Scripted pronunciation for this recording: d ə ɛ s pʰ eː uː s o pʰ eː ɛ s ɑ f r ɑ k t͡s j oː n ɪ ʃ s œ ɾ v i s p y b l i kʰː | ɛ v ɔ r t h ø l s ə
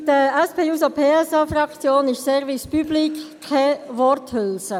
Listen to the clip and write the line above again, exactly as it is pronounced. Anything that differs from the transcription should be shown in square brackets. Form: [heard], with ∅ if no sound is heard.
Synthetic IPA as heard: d ə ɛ s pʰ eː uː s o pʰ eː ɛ s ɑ f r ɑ k t͡s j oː n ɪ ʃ s [ɛ] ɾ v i s p y b l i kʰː | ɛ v ɔ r t h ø l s ə

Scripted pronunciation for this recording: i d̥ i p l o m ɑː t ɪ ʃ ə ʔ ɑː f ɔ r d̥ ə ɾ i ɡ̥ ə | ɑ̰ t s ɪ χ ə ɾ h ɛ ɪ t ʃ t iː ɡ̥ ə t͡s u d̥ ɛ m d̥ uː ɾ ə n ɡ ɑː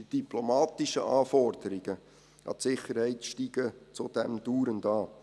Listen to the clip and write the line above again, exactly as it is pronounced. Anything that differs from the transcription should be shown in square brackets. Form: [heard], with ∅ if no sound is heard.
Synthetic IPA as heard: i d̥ i p l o m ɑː t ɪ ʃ ə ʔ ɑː f ɔ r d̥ ə ɾ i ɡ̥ ə | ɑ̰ t s ɪ χ ə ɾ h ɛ ɪ t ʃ t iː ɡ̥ ə t͡s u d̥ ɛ m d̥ uː ɾ ə n [d] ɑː

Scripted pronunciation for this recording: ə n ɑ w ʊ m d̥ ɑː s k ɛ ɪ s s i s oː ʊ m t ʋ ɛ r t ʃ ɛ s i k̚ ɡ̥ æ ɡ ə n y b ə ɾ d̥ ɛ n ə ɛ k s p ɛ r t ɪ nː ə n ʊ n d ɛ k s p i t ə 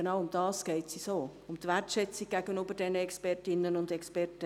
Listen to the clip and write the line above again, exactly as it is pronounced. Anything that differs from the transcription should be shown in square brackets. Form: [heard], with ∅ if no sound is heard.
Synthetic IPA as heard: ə n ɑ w ʊ m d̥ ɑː s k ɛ ɪ [t] s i s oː ʊ m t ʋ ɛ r t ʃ ɛ [t͡s] i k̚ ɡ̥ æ ɡ ə n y b ə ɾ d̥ ɛ n ə ɛ k s p ɛ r t ɪ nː ə n ʊ n d ɛ k s p [ɛ] t ə

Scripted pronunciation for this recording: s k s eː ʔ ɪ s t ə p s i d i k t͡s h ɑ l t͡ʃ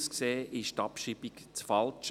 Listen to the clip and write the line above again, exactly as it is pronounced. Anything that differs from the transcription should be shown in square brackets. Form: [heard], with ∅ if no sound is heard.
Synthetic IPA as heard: s k s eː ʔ ɪ [ʃ] t [ɑ] p [ʃ] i [b] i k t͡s [f] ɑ l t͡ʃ

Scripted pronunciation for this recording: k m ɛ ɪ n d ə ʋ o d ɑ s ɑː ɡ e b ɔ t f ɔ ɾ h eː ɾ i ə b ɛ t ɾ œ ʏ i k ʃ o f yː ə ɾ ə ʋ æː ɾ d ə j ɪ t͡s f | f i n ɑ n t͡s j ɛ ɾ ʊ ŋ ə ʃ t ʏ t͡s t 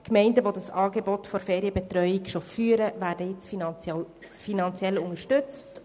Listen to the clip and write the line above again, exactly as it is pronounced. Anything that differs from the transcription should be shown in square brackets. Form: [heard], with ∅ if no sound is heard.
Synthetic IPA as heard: k m ɛ ɪ n d ə ʋ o d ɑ s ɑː ɡ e b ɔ t f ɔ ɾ [f] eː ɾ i ə b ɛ t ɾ œ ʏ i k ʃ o f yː ə ɾ ə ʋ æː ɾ d ə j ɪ t͡s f | f i n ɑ n t͡s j ɛ [l] ʊ ŋ ə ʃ t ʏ t͡s t

